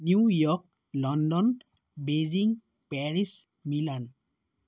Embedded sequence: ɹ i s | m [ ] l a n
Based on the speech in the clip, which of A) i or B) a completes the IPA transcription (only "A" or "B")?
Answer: A